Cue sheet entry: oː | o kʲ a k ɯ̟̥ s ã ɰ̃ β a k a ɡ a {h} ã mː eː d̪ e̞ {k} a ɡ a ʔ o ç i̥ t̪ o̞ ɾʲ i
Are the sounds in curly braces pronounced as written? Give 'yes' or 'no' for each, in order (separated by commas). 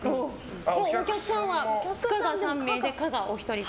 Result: no, yes